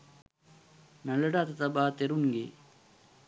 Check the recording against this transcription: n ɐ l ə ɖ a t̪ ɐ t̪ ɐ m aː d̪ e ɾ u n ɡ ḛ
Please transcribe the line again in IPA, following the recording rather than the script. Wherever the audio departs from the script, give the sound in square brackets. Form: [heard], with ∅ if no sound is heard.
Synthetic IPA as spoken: n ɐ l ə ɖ a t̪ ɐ t̪ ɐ [b] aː [t̪] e ɾ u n ɡ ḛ